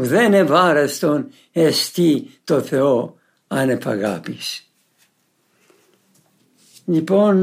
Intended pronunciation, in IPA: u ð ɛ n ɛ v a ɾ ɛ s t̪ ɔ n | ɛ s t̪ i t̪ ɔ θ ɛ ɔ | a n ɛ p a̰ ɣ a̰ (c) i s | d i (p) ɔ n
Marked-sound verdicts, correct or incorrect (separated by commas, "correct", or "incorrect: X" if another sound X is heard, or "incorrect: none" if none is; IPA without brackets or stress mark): incorrect: p, correct